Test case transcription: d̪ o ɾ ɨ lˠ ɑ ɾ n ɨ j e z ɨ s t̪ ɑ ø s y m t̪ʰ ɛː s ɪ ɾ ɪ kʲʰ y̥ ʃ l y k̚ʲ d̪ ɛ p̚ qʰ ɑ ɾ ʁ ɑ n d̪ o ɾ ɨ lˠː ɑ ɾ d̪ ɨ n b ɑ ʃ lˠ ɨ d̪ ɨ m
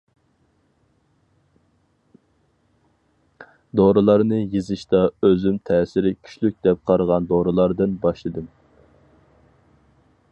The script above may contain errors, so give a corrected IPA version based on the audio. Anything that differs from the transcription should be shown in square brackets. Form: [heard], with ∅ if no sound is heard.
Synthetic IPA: d̪ o ɾ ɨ lˠ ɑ ɾ n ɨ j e z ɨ [ʃ] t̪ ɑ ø [z] y m t̪ʰ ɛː s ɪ ɾ ɪ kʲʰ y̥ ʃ l y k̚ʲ d̪ ɛ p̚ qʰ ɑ ɾ ʁ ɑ n d̪ o ɾ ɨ [lˠ] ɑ ɾ d̪ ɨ n b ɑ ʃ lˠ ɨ d̪ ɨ m